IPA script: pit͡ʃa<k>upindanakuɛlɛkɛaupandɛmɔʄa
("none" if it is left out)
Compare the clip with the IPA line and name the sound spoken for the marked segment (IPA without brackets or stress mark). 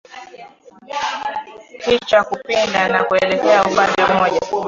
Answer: k